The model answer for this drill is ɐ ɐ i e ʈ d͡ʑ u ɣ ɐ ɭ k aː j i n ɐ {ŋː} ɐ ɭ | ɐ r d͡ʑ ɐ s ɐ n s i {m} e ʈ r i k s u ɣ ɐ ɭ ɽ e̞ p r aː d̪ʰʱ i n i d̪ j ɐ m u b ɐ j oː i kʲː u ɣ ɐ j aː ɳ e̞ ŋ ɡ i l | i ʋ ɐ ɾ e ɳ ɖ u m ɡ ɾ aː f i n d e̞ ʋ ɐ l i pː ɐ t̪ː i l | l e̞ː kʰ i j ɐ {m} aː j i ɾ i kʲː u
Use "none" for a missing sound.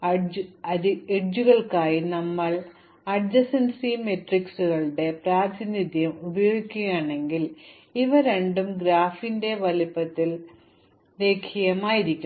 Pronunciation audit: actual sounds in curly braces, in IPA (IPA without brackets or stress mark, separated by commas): mː, m, m